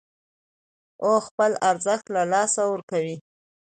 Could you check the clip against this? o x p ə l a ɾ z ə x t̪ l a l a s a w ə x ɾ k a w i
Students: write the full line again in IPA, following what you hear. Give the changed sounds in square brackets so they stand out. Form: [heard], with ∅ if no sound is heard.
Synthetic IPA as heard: o x p ə l a ɾ z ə x t̪ l a l [ɑ] s a w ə [∅] ɾ k a w i